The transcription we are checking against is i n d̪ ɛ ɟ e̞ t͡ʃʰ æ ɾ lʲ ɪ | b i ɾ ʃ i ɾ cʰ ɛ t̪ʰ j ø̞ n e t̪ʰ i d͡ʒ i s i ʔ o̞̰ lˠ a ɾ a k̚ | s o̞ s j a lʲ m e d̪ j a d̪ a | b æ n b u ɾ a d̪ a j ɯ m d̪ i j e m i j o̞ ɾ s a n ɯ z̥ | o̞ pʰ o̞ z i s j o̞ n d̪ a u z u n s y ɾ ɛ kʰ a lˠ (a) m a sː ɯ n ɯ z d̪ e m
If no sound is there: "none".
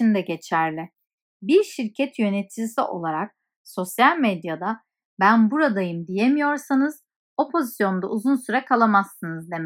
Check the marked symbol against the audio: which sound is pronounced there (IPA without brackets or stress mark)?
a